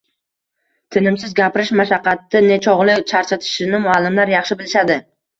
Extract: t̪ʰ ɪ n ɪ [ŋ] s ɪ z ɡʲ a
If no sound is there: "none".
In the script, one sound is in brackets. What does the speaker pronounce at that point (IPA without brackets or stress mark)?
m